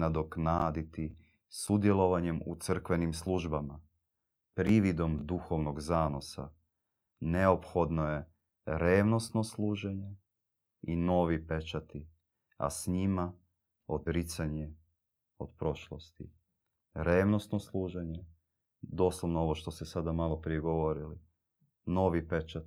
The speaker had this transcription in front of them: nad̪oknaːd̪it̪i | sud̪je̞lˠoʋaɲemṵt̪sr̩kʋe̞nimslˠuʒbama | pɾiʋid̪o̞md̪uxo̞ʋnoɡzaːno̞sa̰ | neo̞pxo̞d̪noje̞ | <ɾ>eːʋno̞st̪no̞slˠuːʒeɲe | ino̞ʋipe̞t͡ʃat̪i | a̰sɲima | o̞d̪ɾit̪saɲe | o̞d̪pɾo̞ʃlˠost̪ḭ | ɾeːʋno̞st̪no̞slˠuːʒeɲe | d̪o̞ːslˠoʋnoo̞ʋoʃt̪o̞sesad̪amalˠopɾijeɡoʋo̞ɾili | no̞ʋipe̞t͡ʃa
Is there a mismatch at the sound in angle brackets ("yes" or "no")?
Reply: no